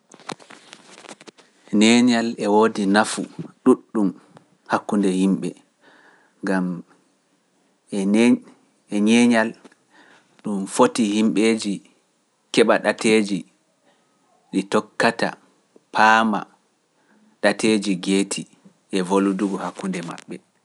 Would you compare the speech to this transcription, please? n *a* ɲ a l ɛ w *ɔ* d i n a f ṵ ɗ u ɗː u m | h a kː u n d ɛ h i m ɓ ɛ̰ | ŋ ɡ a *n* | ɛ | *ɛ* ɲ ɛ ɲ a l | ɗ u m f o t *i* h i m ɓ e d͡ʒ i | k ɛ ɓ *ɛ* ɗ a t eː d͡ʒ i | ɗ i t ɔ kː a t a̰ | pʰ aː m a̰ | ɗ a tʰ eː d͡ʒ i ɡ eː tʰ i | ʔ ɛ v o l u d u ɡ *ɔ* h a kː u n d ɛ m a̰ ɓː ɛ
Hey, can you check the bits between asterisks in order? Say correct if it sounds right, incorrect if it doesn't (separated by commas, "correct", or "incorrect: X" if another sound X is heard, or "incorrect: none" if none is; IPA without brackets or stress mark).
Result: incorrect: ɛ, incorrect: o, incorrect: m, correct, correct, incorrect: a, correct